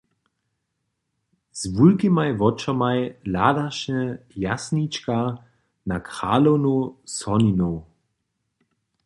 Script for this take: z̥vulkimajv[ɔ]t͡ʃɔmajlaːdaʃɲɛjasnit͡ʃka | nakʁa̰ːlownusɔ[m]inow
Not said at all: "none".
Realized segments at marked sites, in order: ɔ, n

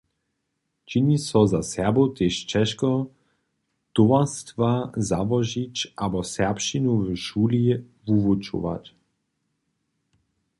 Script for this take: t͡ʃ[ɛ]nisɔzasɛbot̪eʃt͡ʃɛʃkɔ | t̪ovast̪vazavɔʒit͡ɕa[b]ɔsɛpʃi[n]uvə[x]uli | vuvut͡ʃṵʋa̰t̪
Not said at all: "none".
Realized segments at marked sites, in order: i, b, n, ʃ

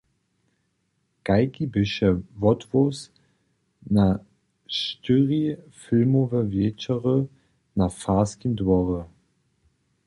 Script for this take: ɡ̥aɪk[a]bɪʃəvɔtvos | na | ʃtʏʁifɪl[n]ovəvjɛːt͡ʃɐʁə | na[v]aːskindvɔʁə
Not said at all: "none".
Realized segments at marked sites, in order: i, m, f

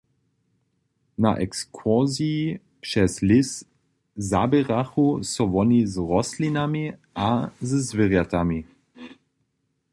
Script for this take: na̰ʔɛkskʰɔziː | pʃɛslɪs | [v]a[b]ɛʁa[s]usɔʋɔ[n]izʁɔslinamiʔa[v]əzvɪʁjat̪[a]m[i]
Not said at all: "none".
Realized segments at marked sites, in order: z, b, x, n, z, a, i

